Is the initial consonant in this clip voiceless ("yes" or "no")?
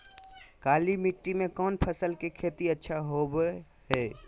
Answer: yes